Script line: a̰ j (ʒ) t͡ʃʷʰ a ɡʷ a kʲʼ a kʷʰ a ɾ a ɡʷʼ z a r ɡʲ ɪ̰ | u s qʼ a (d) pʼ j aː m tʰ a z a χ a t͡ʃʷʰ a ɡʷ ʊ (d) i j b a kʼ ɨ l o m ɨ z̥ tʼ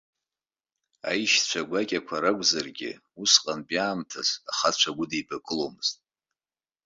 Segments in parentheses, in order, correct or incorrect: incorrect, incorrect, correct

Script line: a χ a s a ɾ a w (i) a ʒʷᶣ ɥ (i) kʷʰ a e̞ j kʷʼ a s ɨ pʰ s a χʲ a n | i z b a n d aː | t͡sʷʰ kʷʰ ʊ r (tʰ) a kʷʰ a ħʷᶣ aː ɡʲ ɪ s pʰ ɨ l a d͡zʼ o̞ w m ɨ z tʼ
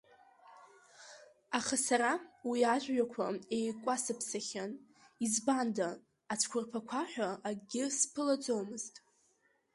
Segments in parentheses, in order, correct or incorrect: correct, incorrect, incorrect

